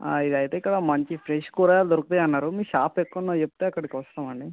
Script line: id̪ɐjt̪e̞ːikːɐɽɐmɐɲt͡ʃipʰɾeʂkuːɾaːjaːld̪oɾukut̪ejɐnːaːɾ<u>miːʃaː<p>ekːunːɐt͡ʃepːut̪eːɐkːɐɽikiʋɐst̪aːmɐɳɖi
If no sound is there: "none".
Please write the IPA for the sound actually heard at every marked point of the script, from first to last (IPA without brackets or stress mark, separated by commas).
u, p